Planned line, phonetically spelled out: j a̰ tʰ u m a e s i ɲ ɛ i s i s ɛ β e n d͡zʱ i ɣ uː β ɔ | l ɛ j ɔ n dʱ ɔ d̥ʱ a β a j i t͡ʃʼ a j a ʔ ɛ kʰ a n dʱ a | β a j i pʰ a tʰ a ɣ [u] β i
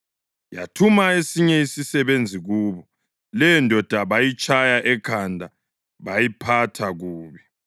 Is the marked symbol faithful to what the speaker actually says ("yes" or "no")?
no